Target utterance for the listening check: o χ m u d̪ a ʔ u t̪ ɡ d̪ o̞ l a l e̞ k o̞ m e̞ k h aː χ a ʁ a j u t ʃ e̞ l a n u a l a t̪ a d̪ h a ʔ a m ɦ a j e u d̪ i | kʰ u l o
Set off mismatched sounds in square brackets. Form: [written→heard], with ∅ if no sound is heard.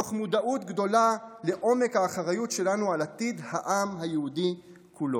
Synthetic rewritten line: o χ m u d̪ a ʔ u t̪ ɡ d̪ o̞ l a l e̞ [k→ʔ] o̞ m e̞ k h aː χ a ʁ a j u t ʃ e̞ l a n u a l a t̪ [a→i] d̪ h a ʔ a m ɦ a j e u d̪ i | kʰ u l o